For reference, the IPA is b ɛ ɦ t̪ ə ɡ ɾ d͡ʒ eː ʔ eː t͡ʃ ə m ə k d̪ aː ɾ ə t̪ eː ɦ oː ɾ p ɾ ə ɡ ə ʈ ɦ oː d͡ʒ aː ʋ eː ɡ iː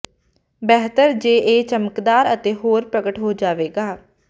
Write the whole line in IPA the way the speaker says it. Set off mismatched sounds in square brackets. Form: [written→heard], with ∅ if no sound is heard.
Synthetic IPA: b ɛ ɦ t̪ ə [ɡ→∅] ɾ d͡ʒ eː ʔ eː t͡ʃ ə m ə k d̪ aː ɾ ə t̪ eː ɦ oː ɾ p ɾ ə ɡ ə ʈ ɦ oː d͡ʒ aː ʋ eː ɡ [iː→aː]